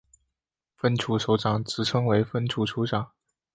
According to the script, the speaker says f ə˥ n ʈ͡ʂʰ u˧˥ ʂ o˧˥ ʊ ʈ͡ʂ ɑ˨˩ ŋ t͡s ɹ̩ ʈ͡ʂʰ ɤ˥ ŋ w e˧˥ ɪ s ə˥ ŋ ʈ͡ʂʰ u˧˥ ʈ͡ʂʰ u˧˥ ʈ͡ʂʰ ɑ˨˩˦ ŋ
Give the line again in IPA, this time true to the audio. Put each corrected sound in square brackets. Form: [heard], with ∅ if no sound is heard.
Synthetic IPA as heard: f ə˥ n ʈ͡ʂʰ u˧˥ ʂ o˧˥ ʊ ʈ͡ʂ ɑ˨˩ ŋ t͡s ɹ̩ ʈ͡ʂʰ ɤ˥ ŋ w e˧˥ ɪ [f] ə˥ [n] ʈ͡ʂʰ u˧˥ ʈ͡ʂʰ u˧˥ [ʈ͡ʂ] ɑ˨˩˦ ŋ